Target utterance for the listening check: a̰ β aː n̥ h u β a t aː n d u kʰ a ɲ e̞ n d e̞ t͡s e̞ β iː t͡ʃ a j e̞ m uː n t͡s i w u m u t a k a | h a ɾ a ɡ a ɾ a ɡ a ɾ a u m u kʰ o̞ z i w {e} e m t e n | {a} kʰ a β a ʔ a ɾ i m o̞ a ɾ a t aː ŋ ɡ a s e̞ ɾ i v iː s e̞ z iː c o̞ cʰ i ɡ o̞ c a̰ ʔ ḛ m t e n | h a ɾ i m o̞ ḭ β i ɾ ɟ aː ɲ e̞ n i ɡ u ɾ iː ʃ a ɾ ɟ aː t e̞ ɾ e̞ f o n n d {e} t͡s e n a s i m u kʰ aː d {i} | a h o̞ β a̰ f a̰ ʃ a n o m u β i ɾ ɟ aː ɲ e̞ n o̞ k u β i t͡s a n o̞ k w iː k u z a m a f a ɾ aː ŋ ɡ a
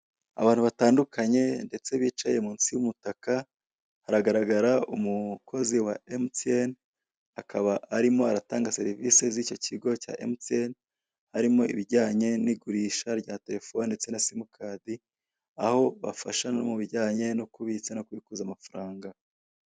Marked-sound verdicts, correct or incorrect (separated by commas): incorrect, correct, correct, correct